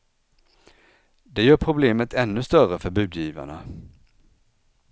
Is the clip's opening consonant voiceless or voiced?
voiced